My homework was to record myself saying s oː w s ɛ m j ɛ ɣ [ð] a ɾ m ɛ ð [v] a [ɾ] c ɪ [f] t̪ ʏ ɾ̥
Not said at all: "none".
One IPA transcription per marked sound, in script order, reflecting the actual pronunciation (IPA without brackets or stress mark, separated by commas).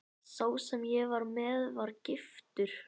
v, v, ɾ, f